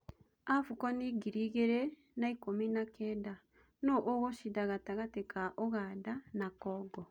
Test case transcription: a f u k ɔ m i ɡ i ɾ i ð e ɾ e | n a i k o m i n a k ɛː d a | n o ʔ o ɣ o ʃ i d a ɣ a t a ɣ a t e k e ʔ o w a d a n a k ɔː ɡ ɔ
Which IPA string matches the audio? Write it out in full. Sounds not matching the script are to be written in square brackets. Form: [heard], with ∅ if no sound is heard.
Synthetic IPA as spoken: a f u k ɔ [n] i ɡ i ɾ i [ɣ] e ɾ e | n a i k o m i n a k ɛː d a | n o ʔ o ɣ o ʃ i d a ɣ a t a ɣ a t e k [a] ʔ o [ɣ] a d a n a k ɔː ɡ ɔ